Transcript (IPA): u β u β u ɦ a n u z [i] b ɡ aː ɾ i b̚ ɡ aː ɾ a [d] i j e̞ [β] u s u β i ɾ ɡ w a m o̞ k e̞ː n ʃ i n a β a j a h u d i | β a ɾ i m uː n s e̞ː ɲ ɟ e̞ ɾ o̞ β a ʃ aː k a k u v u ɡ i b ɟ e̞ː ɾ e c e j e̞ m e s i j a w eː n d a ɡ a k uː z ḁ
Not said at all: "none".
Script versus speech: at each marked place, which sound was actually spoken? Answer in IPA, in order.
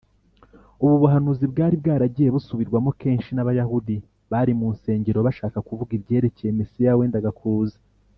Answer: i, ɟ, β

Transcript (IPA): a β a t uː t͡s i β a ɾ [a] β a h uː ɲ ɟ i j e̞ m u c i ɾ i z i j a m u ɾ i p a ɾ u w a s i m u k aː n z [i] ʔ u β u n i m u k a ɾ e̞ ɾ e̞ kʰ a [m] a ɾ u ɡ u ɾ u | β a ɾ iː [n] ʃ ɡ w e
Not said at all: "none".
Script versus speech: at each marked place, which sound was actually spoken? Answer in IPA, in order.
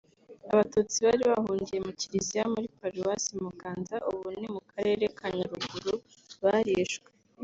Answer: i, a, ɲ, none

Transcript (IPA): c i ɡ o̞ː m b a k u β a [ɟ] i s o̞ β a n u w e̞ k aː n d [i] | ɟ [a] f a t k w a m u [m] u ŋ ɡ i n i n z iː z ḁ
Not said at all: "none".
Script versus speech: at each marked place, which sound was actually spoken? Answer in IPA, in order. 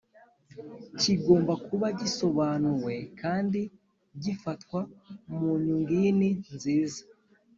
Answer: ɟ, i, i, ɲ

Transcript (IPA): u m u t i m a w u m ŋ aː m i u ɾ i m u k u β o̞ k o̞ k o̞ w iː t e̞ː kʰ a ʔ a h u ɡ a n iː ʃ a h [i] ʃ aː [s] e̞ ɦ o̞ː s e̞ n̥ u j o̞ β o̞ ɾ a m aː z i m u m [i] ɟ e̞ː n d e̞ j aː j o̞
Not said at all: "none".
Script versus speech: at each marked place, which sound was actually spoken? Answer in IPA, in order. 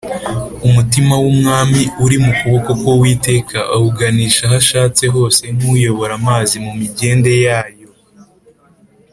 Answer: a, t͡s, i

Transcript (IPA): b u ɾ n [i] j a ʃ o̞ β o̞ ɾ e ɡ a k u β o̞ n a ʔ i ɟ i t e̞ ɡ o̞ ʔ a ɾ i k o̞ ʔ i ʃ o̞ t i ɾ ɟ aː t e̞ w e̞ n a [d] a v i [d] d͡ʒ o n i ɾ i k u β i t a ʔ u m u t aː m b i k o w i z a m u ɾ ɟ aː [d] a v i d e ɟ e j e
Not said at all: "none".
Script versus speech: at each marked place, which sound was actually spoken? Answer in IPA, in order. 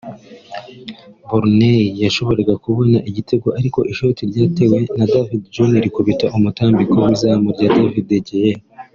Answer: e, d, d, d

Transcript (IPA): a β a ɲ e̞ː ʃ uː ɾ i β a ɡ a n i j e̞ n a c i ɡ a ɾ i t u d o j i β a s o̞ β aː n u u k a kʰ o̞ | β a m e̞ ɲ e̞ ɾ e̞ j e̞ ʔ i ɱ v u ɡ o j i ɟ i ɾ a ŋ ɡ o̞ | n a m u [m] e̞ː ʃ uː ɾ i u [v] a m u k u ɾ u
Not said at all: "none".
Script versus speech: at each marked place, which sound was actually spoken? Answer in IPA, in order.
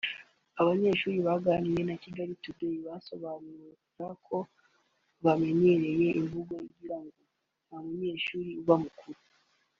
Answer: ɲ, β

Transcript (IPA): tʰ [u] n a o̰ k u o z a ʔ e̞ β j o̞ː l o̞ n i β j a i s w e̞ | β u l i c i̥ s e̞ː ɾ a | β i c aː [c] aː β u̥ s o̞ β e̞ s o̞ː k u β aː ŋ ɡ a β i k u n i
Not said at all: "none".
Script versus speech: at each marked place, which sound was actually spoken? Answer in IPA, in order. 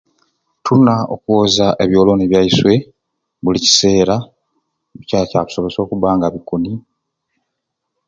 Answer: u, c

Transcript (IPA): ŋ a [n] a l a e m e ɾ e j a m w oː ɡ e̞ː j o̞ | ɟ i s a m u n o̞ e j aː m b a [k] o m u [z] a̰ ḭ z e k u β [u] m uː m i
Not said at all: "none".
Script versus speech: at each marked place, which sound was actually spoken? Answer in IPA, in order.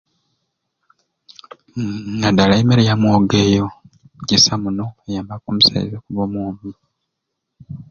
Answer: d, k, s, o

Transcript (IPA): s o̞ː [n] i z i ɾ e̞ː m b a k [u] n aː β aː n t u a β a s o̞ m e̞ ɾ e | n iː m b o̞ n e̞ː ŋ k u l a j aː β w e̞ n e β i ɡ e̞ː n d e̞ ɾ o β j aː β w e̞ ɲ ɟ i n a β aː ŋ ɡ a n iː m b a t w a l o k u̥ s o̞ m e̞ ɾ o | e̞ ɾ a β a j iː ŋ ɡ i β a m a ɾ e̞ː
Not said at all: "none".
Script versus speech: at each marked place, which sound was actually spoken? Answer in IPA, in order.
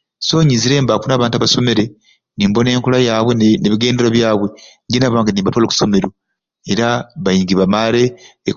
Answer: ɲ, u

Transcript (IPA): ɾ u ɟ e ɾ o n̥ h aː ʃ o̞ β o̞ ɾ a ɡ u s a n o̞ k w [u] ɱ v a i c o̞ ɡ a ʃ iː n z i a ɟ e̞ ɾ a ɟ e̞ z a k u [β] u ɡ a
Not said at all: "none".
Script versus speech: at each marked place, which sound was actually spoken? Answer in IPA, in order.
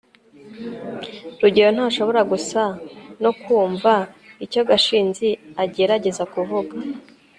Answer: uː, v

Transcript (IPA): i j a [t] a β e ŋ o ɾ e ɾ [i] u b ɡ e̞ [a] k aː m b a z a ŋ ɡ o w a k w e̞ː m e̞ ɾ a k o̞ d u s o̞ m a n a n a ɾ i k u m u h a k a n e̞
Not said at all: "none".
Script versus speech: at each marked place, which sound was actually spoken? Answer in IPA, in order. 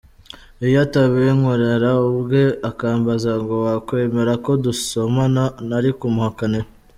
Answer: t, a, a

